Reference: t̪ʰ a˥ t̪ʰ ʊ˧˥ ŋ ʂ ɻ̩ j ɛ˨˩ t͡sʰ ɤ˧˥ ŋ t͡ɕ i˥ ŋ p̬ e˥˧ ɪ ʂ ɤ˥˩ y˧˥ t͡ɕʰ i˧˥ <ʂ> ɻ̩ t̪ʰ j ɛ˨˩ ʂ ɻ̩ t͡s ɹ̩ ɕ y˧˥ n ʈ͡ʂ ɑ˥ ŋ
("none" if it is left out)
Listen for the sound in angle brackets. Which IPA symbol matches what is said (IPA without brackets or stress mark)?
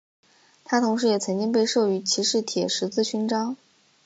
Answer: ʂ